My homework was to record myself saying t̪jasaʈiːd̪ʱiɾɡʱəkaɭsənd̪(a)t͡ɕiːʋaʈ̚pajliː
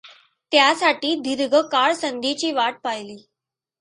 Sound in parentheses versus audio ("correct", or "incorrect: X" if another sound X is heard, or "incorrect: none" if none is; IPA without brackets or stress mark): incorrect: i